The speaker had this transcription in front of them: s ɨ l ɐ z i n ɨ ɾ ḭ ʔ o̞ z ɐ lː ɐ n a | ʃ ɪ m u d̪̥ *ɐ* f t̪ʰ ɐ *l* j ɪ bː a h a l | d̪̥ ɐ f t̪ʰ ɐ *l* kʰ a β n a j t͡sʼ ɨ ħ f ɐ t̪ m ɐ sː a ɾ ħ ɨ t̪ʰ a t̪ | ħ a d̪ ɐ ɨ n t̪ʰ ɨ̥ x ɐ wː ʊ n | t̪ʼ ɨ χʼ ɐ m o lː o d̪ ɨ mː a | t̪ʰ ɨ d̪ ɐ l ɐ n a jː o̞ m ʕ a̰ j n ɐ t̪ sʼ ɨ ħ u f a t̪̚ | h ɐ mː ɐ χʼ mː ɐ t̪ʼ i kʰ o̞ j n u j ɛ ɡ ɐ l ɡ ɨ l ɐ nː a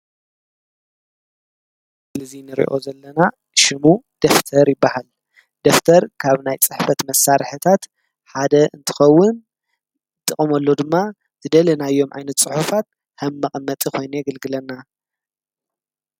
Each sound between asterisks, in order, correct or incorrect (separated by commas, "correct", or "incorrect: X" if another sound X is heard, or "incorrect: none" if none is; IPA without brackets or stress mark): correct, incorrect: ɾ, incorrect: ɾ